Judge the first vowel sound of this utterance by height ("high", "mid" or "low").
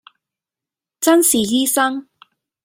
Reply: low